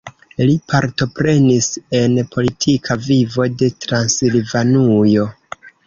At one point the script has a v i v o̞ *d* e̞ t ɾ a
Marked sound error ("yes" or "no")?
no